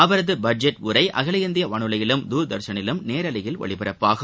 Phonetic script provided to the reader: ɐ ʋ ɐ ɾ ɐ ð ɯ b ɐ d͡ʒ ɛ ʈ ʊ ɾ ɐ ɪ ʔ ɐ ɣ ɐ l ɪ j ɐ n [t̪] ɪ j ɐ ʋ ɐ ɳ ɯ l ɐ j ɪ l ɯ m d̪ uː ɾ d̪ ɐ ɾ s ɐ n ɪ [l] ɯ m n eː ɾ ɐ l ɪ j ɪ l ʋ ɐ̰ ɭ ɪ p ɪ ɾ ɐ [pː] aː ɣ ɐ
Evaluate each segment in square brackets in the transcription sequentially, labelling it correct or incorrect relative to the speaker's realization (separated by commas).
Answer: incorrect, correct, correct